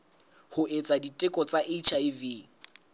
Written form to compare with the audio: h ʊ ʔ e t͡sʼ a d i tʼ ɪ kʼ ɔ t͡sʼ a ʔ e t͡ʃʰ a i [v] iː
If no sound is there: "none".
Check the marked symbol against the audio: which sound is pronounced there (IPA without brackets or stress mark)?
v